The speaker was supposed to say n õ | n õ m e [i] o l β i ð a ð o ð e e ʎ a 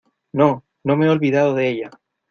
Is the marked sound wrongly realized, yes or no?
yes